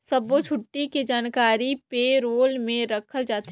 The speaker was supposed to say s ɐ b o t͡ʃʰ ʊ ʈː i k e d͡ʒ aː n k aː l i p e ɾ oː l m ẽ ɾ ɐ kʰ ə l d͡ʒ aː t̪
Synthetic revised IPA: s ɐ b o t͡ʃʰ ʊ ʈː i k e d͡ʒ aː n k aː ɾ i p e ɾ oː l m ẽ ɾ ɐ kʰ ə l d͡ʒ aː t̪